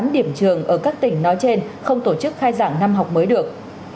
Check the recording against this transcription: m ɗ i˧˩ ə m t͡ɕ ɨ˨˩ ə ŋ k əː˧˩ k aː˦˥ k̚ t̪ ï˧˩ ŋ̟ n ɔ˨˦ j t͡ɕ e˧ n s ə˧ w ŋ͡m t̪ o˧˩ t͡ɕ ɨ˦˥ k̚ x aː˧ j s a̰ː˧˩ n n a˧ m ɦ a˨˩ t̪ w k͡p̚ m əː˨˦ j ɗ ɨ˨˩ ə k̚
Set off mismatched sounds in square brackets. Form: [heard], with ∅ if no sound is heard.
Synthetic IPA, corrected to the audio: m ɗ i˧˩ ə m t͡ɕ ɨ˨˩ ə ŋ [ʔ] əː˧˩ k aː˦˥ k̚ t̪ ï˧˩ ŋ̟ n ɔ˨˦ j t͡ɕ e˧ n [x] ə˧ w ŋ͡m t̪ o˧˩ t͡ɕ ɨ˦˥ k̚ x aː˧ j [z] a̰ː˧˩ [ŋ] n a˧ m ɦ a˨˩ [∅] w k͡p̚ m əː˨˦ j ɗ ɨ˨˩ ə k̚